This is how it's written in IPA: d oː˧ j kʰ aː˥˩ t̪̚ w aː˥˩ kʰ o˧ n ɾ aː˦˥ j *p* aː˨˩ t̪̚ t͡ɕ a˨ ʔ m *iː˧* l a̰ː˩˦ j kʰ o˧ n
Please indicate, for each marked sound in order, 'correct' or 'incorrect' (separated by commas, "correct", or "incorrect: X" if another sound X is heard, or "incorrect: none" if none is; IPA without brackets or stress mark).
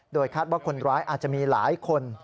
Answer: incorrect: ʔ, correct